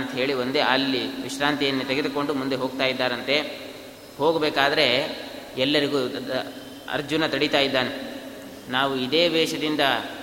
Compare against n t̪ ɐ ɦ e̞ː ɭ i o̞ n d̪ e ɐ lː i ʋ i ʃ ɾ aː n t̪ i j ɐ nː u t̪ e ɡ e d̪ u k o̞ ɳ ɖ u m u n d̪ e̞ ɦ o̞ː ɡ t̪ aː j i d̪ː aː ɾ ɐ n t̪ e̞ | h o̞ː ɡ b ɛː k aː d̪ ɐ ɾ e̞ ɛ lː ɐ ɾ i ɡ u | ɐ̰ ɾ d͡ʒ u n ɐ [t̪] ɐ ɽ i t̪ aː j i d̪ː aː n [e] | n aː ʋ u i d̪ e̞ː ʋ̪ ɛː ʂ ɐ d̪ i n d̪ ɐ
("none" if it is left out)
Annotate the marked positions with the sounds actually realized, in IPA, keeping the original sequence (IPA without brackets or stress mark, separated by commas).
t̪, e